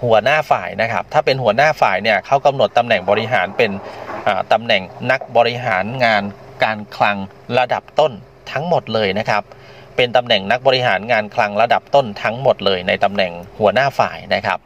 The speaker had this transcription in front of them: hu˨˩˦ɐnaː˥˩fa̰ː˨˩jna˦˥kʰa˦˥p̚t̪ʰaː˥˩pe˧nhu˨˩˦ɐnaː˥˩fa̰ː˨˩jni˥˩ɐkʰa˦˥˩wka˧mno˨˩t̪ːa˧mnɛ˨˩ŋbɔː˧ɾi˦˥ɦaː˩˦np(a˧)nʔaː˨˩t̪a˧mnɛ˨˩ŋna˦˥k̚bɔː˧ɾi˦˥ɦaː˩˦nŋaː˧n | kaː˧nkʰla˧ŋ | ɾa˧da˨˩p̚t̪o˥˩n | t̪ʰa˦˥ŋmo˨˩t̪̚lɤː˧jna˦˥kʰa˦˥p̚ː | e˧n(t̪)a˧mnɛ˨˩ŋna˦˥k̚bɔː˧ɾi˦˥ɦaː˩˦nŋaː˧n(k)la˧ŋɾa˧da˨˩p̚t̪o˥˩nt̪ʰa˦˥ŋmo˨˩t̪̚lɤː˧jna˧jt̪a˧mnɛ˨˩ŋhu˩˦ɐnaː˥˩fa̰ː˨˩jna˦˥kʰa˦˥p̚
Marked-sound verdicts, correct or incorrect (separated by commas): incorrect, correct, incorrect